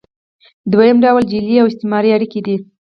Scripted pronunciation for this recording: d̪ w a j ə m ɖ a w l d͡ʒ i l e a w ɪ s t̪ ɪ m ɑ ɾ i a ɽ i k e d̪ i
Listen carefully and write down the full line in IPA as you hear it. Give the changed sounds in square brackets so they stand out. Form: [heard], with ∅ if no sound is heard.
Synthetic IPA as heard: d̪ w a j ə m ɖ a w l d͡ʒ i l [i] a w ɪ s t̪ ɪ m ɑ ɾ i a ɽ i k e d̪ i

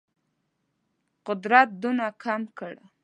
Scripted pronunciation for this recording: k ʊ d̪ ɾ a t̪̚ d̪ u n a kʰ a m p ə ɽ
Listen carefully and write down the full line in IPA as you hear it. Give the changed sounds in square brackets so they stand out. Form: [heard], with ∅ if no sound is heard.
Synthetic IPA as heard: [q] ʊ d̪ ɾ a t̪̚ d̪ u n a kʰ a m [k] ə ɽ

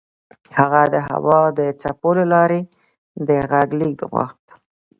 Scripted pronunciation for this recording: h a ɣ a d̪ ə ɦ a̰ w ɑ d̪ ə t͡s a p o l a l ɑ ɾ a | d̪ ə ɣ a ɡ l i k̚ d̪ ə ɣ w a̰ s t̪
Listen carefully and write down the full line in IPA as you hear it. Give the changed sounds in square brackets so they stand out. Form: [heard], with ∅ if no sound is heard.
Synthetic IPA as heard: h a ɣ a d̪ ə ɦ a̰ w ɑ d̪ ə t͡s a p o l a l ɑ ɾ [e] | d̪ ə ɣ a ɡ l i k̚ d̪ ə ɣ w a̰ [x] t̪

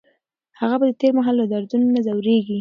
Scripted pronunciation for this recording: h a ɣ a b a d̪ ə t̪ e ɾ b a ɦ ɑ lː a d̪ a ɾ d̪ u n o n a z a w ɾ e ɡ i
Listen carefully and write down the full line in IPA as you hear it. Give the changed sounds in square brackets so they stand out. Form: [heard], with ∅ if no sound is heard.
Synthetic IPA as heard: h a ɣ a b a d̪ ə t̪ e ɾ [m] a ɦ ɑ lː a d̪ a ɾ d̪ u n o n a z a w ɾ e ɡ i

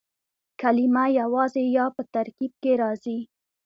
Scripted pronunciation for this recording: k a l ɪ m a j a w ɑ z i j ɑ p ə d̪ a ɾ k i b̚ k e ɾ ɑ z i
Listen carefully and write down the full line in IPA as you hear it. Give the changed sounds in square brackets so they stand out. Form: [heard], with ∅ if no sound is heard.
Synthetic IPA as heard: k a l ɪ m a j a w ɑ z [e] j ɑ p ə [t̪] a ɾ k i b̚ k e ɾ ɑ z i

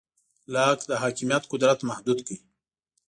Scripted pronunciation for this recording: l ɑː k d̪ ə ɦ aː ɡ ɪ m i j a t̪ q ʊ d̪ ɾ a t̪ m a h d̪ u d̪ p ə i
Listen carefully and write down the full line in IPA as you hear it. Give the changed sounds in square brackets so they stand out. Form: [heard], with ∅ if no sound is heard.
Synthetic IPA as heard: l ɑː k d̪ ə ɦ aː [k] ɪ m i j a t̪ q ʊ d̪ ɾ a t̪ m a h d̪ u d̪ [k] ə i

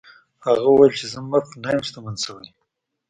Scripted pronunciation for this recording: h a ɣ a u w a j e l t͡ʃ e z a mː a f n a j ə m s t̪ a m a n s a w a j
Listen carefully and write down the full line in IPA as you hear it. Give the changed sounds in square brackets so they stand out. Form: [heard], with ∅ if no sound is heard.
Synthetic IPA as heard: h a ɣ a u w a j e l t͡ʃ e z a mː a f n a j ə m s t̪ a m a n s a w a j

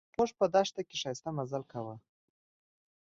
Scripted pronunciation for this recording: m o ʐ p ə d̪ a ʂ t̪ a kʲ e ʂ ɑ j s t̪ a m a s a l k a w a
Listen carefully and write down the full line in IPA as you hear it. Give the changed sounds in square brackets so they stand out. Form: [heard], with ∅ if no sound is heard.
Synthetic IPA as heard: m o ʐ p ə d̪ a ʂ t̪ a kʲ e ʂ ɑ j s t̪ a m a [z] a l k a w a

